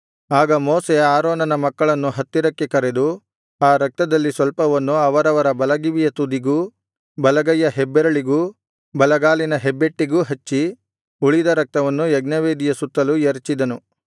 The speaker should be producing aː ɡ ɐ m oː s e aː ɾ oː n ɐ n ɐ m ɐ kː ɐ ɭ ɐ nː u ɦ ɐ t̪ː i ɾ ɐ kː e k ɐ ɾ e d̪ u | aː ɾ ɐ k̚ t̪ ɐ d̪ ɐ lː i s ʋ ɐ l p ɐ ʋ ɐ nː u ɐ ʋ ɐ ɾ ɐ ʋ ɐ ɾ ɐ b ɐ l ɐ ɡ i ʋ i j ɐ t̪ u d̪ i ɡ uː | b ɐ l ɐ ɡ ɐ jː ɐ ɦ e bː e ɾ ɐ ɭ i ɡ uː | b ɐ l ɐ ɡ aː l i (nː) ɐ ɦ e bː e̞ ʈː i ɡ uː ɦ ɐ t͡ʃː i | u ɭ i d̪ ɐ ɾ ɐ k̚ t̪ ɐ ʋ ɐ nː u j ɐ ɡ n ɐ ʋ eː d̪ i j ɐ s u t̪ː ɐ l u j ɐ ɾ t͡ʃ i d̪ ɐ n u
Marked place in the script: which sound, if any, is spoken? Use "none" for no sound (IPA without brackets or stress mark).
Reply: n